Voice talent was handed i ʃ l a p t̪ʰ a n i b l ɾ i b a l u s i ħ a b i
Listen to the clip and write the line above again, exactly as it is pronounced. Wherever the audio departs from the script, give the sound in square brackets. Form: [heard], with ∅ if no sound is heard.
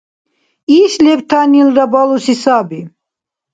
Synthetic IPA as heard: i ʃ l [ɛ] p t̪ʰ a n i [∅] l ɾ [a] b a l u s i [s] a b i